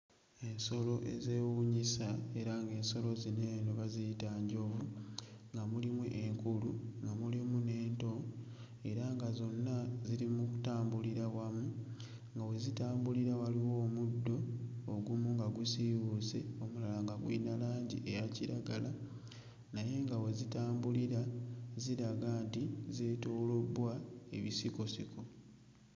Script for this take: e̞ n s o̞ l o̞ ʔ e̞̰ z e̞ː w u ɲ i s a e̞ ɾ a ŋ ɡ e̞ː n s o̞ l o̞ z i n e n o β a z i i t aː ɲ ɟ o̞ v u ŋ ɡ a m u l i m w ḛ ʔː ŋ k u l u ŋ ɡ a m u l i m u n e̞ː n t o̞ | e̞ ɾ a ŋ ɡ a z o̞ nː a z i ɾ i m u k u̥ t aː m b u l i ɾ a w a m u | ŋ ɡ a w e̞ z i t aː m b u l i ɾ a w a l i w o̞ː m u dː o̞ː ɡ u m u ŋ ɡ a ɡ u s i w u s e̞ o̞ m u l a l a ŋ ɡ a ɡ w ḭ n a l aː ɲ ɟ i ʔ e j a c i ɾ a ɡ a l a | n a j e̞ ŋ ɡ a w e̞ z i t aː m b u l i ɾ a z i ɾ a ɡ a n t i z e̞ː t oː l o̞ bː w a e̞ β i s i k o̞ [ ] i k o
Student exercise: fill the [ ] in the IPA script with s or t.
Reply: s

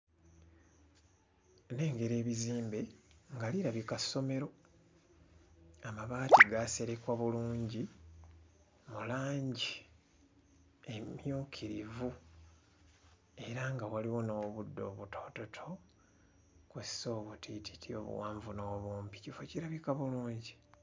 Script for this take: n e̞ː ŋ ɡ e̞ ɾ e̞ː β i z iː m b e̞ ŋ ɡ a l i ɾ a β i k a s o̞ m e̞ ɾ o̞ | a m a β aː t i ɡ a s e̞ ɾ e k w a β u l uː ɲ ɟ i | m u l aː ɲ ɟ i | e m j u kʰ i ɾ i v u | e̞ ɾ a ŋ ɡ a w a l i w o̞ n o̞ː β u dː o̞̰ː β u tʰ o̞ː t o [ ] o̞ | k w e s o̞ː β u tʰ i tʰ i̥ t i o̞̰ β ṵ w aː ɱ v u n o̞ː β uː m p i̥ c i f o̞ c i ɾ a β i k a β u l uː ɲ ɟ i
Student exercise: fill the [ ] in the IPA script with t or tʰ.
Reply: tʰ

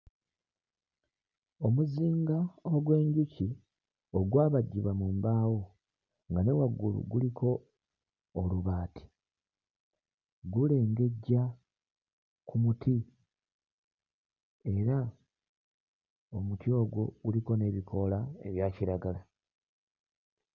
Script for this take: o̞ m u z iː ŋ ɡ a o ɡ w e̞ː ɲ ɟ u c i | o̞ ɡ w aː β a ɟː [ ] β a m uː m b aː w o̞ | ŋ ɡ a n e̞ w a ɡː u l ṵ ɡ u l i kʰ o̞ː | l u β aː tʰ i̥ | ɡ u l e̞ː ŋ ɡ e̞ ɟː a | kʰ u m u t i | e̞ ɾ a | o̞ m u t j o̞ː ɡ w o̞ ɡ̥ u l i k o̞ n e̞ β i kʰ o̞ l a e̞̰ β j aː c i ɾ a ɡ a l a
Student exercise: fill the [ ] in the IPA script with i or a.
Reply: i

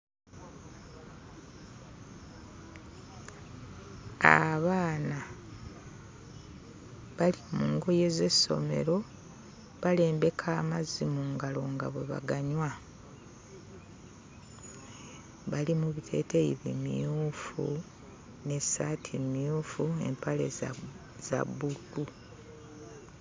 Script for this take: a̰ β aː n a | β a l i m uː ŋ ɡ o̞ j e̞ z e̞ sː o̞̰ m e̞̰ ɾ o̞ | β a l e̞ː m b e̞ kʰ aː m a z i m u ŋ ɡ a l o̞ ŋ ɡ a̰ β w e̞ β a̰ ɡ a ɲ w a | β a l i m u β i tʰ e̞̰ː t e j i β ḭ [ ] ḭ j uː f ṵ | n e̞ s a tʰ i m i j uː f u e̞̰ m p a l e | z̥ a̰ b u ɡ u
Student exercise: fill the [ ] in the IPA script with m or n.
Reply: m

